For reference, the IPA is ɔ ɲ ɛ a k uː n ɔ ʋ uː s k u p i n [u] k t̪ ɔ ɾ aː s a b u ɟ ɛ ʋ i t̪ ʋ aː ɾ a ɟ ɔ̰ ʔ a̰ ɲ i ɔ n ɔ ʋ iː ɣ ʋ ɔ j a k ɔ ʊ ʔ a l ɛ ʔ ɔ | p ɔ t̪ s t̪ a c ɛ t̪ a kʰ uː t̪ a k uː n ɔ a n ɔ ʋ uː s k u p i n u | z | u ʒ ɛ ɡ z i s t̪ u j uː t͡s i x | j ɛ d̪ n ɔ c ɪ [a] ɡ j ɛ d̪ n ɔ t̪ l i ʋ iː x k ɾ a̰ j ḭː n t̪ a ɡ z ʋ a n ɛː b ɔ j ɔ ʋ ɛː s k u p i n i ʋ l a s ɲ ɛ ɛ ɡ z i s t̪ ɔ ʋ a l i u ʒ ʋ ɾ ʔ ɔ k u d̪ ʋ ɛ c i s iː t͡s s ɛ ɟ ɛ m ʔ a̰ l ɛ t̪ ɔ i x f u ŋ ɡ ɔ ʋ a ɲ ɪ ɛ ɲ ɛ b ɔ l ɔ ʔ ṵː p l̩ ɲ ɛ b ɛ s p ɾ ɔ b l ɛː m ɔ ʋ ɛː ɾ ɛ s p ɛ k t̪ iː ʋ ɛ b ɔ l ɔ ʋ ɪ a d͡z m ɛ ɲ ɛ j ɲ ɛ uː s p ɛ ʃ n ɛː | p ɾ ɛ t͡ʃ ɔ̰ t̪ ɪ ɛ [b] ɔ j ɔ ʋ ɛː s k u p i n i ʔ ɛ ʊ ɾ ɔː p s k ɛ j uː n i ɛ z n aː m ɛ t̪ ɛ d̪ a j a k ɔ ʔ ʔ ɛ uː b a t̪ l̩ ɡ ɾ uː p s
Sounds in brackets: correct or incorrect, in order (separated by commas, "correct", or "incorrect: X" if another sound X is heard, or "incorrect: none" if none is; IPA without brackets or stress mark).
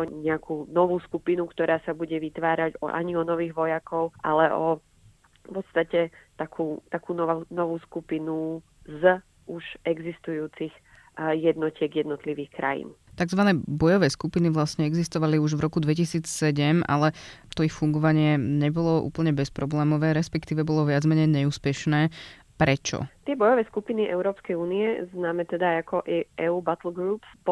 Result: correct, incorrect: ɛ, correct